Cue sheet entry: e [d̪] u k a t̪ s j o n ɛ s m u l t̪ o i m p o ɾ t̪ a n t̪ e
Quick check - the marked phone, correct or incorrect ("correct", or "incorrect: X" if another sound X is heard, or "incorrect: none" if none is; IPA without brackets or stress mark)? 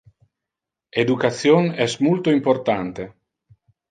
correct